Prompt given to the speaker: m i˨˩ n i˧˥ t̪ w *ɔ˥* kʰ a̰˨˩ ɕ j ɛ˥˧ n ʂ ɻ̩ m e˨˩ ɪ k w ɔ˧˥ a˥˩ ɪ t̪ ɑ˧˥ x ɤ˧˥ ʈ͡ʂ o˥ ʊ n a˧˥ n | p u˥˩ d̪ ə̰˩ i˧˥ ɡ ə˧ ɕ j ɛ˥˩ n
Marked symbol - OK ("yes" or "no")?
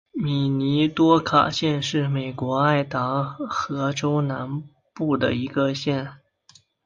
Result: yes